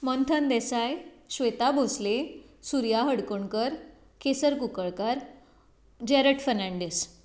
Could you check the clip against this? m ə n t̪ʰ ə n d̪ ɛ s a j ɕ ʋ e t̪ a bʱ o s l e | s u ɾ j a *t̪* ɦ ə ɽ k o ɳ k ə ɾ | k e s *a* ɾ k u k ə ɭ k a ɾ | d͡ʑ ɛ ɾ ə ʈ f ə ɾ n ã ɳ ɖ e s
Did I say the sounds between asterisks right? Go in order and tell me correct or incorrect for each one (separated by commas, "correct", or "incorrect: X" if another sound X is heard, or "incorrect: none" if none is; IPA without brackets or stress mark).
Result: incorrect: none, incorrect: ə